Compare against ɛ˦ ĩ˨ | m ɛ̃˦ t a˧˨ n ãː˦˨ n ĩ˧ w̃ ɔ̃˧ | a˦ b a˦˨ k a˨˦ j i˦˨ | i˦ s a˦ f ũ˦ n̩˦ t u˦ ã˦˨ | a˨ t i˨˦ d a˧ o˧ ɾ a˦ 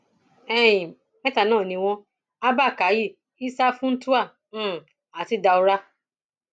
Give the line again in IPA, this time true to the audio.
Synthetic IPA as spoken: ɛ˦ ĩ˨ | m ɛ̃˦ t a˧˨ n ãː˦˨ n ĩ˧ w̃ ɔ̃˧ | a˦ b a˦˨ k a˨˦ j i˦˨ | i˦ s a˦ f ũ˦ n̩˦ t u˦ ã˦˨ | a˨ t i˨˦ d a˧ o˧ ɾ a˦